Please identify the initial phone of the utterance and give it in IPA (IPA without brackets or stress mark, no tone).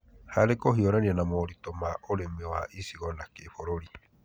h